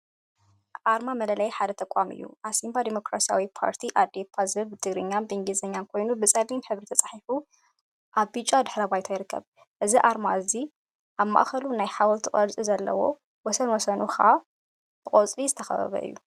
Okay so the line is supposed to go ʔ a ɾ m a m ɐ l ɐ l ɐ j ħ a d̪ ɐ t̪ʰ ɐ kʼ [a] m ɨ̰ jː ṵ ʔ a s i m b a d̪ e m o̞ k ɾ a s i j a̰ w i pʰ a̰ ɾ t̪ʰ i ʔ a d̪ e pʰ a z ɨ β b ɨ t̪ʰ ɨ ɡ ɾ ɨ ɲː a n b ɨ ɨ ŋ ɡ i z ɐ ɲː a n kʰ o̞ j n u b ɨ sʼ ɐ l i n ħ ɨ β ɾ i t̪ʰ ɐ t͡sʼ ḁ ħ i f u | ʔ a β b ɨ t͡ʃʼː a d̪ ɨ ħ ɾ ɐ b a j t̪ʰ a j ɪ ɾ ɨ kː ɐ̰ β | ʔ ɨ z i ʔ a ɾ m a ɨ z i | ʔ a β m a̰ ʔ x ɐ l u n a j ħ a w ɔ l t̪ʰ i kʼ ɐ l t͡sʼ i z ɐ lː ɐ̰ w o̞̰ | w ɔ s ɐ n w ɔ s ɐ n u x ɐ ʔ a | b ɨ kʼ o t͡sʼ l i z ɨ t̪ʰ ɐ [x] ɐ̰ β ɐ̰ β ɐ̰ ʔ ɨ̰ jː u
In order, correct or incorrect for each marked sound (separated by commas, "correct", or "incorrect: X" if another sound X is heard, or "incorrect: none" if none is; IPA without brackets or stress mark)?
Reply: correct, correct